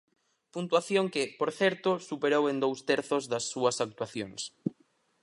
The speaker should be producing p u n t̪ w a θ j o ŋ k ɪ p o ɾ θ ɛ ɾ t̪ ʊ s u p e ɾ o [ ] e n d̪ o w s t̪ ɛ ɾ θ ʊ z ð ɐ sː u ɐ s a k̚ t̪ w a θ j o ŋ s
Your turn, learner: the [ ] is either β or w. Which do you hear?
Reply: w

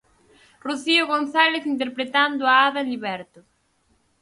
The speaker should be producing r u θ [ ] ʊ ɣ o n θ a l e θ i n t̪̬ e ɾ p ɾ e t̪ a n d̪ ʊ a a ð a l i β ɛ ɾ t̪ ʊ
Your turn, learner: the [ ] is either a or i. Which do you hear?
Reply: i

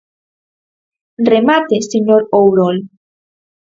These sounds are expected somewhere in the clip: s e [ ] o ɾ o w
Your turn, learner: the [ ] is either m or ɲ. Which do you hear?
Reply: ɲ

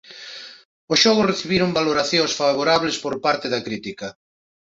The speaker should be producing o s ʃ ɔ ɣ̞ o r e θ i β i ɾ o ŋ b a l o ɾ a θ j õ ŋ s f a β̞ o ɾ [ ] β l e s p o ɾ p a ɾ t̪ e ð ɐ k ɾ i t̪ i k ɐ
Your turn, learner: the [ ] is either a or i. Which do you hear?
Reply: a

